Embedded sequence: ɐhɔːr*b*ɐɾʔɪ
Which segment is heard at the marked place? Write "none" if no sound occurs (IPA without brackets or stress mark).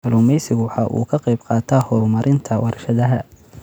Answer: m